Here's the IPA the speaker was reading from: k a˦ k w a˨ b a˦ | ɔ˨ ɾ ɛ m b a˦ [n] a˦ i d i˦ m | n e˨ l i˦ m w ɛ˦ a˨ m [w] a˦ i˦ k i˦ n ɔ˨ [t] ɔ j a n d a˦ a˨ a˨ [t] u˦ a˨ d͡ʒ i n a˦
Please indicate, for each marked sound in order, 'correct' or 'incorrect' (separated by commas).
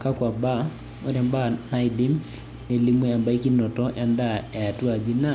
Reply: correct, incorrect, correct, correct